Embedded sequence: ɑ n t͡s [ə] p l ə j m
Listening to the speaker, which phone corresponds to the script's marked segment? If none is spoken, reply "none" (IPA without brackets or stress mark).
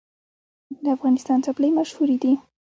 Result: a